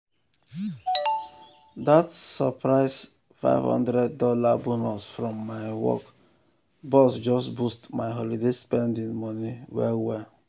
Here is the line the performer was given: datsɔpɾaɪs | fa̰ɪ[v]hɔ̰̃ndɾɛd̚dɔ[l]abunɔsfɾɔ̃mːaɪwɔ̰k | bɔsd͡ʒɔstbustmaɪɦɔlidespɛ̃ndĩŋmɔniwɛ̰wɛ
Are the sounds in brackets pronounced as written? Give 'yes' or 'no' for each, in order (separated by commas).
yes, yes